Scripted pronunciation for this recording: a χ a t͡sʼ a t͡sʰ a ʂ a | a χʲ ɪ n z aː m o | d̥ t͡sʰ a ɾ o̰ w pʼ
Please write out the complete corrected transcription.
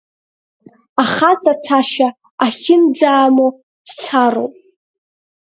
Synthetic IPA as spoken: a χ a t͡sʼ a t͡sʰ a ʃ a | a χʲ ɪ n d͡z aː m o | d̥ t͡sʰ a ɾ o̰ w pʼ